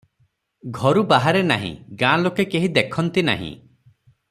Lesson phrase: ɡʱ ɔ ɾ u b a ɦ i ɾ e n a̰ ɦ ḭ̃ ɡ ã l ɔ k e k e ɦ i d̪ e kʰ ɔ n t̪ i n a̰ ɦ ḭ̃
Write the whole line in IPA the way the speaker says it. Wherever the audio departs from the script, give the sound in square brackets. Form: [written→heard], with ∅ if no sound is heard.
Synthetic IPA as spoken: ɡʱ ɔ ɾ u b a ɦ [i→a] ɾ e n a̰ ɦ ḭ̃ ɡ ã l [ɔ→o] k e k e ɦ i d̪ e kʰ ɔ n t̪ i n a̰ ɦ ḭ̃

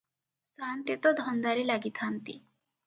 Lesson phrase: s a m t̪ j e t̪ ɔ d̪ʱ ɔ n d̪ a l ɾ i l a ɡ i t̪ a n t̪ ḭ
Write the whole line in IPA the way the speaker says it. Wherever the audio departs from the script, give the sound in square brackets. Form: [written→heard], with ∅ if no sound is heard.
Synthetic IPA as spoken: s a [m→n] t̪ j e t̪ ɔ d̪ʱ ɔ n d̪ a [l→∅] ɾ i l a ɡ i [t̪→t̪ʰ] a n t̪ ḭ

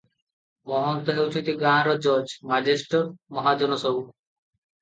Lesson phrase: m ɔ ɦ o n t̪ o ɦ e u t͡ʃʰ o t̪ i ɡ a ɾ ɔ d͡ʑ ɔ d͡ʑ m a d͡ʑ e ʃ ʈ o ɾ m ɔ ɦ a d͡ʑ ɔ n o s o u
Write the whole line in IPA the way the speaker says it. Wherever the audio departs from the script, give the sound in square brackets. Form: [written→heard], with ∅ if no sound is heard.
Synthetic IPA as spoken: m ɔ ɦ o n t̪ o ɦ e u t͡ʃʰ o t̪ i ɡ a ɾ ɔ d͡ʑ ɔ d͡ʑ m a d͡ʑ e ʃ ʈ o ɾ m ɔ ɦ a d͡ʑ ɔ n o s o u

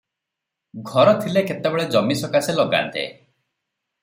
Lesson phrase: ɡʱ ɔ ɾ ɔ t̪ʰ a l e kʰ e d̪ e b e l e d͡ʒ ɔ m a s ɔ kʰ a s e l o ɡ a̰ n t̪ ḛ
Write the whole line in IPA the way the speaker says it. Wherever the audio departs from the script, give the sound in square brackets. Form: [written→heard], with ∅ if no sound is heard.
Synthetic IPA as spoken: ɡʱ ɔ ɾ ɔ t̪ʰ [a→i] l e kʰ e [d̪→t̪] e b e [l→ɭ] e d͡ʒ ɔ m [a→i] s ɔ [kʰ→k] a s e l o ɡ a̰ n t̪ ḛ

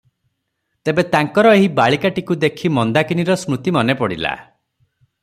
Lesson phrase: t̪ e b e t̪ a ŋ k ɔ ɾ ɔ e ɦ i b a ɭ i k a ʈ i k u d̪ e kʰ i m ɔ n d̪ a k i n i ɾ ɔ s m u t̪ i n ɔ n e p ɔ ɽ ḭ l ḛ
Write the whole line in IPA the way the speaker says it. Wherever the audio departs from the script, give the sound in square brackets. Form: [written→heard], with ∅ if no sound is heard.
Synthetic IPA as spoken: t̪ e b e t̪ a ŋ k ɔ ɾ ɔ e ɦ i b a ɭ i k a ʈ i k u d̪ e kʰ i m ɔ n d̪ a k i n i ɾ ɔ s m u t̪ i [n→m] ɔ n e p ɔ ɽ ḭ l [ḛ→a̰]

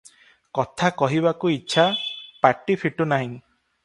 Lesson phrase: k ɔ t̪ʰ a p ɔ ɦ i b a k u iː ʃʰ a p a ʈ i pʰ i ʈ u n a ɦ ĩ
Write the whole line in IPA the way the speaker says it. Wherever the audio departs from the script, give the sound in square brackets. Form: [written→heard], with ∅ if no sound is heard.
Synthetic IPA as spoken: k ɔ t̪ʰ a [p→k] ɔ ɦ i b a k u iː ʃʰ a p a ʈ i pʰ i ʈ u n a ɦ ĩ

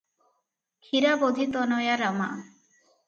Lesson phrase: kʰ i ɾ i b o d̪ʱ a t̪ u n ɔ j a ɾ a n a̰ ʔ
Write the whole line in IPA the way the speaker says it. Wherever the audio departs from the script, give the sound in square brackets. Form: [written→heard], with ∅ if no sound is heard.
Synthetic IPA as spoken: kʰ i ɾ [i→a] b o d̪ʱ [a→i] t̪ [u→ɔ] n ɔ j a ɾ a [n→m] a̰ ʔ

